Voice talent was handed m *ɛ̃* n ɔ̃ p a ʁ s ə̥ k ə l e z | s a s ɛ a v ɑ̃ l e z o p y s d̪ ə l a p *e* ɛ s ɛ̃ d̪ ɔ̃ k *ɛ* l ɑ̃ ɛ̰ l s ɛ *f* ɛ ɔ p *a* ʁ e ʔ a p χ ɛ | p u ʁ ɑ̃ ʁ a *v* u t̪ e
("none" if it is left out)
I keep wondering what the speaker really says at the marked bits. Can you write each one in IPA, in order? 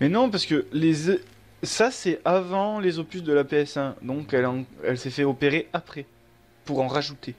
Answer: ɛ, e, ɛ, f, e, ʒ

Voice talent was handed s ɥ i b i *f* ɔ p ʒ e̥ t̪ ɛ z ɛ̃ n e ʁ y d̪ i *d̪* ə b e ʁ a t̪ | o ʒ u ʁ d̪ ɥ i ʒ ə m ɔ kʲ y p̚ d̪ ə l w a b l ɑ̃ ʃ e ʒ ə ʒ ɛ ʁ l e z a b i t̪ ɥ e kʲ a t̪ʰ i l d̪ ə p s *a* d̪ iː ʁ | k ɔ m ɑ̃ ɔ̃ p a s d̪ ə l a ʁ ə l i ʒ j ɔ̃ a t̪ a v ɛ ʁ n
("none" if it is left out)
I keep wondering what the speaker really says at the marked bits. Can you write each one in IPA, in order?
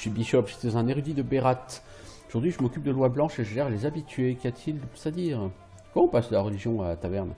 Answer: ʃ, d̪, a

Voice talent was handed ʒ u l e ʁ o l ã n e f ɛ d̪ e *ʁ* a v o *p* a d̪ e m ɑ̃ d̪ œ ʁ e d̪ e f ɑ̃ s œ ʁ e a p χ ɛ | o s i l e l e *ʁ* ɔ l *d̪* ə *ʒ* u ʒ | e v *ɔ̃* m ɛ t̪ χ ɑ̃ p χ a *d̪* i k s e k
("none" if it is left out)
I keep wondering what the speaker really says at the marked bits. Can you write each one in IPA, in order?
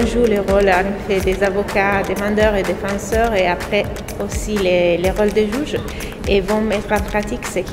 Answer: z, k, ʁ, d̪, ʒ, ɔ̃, t̪

